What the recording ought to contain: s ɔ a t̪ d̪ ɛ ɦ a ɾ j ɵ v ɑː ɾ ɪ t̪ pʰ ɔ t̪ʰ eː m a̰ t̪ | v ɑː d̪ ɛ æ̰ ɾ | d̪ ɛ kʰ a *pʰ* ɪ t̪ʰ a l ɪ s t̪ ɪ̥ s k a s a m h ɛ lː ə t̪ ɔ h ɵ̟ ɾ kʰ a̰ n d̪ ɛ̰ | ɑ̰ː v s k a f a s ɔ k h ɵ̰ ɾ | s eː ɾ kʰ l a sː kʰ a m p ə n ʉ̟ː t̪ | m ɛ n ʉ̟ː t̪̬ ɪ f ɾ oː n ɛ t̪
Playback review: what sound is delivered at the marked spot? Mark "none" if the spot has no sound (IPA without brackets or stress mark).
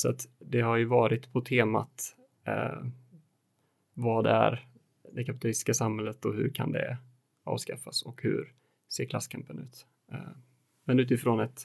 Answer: p